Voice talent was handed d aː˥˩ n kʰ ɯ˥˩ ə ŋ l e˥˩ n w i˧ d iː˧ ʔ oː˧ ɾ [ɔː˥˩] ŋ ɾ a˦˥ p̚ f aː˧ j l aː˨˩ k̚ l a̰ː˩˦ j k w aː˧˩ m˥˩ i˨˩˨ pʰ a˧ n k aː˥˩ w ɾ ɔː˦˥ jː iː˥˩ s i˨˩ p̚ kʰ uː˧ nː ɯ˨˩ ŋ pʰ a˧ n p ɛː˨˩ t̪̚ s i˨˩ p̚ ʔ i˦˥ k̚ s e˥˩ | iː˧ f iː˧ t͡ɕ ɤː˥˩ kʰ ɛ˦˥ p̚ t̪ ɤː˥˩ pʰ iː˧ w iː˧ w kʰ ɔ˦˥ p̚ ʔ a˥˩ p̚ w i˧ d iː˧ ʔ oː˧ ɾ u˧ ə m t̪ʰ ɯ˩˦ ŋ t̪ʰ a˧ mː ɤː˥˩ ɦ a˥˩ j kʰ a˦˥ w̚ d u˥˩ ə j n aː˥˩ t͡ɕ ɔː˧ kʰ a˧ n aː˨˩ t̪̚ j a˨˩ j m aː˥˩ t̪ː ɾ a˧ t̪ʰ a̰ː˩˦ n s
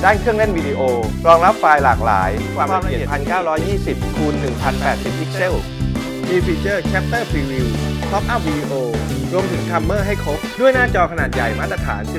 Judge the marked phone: incorrect: ɔː˧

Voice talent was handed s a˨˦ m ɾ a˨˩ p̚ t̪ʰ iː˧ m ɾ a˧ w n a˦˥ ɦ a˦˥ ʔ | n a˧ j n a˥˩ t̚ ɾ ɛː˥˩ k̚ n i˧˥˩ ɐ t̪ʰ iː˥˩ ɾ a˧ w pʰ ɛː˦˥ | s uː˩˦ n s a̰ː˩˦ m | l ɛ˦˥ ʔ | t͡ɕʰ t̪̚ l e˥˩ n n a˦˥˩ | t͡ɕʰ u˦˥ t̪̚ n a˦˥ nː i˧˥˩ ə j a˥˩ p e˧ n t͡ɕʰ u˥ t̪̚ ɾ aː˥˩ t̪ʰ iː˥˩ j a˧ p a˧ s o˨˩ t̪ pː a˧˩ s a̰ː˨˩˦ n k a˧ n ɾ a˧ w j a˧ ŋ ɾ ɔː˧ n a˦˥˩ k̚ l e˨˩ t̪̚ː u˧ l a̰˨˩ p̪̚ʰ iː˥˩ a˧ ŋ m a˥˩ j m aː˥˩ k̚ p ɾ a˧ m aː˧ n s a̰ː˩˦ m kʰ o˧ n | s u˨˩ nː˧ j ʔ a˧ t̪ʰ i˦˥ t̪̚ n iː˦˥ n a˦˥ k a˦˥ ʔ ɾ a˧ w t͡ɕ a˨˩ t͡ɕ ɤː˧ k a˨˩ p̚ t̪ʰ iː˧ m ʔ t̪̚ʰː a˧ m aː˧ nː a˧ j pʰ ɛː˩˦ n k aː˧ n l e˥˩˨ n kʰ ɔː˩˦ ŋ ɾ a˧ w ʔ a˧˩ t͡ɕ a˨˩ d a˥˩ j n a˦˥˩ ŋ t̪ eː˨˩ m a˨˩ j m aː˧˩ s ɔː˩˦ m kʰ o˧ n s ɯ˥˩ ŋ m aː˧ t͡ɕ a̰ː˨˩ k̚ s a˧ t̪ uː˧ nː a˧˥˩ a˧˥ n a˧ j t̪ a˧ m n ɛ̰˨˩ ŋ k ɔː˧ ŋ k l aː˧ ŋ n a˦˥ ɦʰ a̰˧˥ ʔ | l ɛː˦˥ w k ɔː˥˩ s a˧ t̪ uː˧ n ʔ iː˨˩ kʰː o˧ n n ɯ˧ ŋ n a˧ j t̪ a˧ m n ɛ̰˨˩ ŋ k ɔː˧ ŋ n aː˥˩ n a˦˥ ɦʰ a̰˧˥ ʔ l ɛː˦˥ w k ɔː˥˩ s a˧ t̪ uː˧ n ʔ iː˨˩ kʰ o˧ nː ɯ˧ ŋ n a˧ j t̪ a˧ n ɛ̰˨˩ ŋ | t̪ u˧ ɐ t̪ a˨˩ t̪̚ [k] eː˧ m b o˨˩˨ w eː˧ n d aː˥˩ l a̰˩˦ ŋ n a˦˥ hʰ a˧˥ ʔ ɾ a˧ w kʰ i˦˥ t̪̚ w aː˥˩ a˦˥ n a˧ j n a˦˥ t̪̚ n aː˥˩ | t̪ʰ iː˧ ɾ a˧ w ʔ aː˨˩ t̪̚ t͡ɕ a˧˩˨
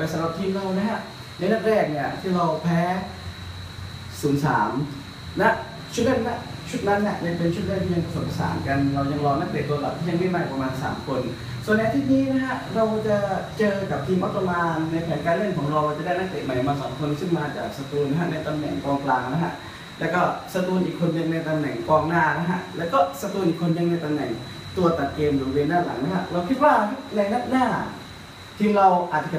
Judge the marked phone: correct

